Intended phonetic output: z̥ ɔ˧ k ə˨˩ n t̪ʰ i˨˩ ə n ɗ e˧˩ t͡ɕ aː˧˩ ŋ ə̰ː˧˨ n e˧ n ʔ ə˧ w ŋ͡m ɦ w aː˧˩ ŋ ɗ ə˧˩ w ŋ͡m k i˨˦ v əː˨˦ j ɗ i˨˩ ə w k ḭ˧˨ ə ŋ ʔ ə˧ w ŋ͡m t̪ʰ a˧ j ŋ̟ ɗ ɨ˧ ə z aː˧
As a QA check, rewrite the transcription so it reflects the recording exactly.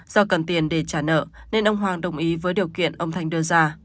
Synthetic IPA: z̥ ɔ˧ k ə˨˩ n t̪ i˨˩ ə n ɗ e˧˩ t͡ɕ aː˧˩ n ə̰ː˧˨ n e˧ n ʔ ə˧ w ŋ͡m ɦ w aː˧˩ ŋ ɗ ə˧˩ w ŋ͡m ʔ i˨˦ v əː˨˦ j ɗ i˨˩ ə w k ḭ˧˨ ə n ʔ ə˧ w ŋ͡m t̪ʰ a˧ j ŋ̟ ɗ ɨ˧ ə z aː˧